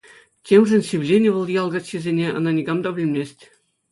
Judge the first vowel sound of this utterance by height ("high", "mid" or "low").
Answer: mid